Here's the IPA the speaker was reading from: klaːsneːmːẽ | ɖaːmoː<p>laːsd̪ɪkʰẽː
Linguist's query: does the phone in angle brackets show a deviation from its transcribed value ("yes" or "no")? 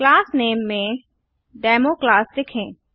yes